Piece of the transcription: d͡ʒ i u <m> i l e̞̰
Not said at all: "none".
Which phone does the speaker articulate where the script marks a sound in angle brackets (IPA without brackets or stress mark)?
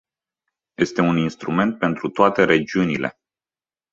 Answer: n